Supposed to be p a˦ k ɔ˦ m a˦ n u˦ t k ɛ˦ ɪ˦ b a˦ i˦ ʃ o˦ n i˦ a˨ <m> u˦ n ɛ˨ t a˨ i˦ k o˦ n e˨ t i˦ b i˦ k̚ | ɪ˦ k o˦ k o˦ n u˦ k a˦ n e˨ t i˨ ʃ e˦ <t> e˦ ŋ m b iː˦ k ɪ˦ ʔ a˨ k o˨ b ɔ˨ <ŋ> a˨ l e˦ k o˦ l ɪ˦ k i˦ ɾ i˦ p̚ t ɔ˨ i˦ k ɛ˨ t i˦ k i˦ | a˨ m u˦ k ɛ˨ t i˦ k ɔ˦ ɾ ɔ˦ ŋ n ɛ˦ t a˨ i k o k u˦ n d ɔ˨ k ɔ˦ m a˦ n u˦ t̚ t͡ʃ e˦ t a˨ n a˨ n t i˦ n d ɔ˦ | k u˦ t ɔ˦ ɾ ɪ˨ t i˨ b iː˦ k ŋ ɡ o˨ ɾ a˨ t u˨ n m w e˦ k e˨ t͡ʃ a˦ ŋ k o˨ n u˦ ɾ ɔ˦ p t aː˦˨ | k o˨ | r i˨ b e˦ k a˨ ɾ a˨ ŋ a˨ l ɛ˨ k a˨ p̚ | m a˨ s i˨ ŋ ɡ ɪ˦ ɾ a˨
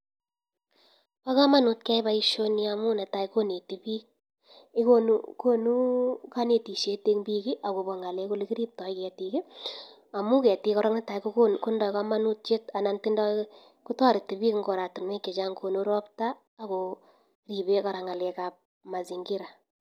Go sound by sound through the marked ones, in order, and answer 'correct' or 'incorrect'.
correct, correct, correct

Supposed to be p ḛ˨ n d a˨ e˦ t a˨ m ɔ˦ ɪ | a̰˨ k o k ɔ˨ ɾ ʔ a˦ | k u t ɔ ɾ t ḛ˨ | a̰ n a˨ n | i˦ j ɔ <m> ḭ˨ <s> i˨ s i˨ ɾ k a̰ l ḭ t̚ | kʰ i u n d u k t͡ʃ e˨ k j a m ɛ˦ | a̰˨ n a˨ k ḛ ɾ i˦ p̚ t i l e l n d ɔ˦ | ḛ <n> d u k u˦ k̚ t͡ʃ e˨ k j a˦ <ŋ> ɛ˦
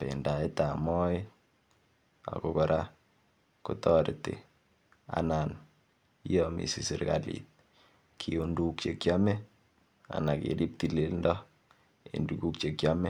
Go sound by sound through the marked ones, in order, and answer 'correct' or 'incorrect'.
correct, correct, correct, incorrect: m

